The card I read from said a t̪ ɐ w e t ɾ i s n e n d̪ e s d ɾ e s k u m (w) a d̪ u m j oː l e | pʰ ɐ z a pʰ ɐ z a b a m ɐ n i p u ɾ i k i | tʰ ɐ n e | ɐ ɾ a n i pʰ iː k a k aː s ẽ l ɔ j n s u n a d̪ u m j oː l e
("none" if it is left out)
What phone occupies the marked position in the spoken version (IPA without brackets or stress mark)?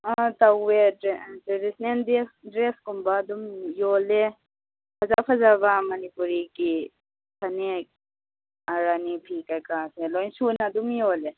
b